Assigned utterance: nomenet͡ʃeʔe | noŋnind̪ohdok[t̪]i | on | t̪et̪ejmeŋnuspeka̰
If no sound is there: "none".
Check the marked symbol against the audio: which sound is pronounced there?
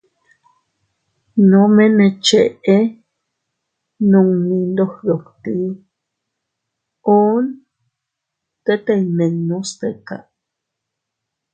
t̪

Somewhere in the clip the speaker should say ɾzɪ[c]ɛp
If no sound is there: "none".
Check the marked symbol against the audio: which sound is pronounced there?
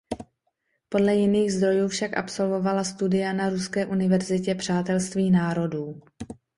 c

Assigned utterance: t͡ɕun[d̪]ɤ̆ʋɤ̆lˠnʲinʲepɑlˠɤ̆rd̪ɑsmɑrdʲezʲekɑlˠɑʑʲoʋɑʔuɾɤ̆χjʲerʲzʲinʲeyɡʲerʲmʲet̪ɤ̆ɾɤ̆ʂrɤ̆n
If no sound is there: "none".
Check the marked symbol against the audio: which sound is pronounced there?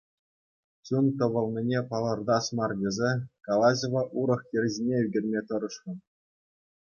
t̪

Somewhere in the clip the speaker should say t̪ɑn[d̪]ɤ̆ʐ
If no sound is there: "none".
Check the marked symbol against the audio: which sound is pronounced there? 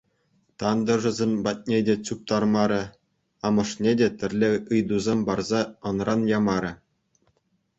d̪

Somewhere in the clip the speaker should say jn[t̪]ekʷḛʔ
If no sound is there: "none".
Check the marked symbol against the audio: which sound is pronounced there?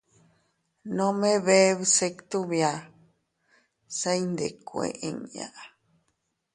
d̪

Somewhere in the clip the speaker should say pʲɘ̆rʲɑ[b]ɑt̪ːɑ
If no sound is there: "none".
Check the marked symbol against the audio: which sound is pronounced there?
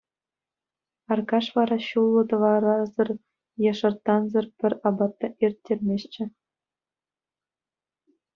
b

